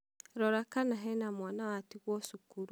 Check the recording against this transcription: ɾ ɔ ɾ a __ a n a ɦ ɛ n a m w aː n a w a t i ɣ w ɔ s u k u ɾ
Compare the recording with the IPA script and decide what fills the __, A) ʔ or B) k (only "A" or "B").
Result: B